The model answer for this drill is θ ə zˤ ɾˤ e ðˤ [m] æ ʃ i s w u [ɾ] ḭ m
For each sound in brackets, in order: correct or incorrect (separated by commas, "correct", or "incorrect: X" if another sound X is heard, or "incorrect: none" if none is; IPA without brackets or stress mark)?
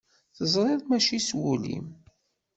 correct, incorrect: l